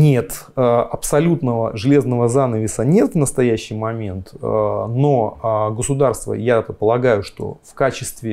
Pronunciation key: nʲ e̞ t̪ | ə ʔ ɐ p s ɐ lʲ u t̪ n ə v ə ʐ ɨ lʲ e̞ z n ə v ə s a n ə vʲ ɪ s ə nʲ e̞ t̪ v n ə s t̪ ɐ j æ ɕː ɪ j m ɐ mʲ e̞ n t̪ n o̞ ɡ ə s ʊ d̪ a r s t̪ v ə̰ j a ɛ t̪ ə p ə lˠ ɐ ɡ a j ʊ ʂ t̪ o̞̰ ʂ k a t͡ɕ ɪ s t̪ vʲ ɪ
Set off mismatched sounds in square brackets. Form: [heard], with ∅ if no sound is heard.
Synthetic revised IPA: nʲ e̞ t̪ | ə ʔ ɐ p s ɐ lʲ u t̪ n ə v ə ʐ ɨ lʲ e̞ z n ə v ə [z] a n ə vʲ ɪ s ə nʲ e̞ t̪ v n ə s t̪ ɐ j æ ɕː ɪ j m ɐ mʲ e̞ n t̪ n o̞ ɡ ə s ʊ d̪ a r s t̪ v ə̰ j a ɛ t̪ ə p ə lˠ ɐ ɡ a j ʊ ʂ t̪ o̞̰ [f] k a t͡ɕ ɪ s t̪ vʲ ɪ